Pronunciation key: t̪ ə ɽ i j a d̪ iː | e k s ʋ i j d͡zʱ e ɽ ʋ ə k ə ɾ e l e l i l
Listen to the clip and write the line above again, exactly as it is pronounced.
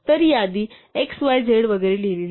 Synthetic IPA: t̪ ə ɾ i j a d̪ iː | e k s ʋ a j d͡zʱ e ɽ ʋ ə ɡ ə ɾ e l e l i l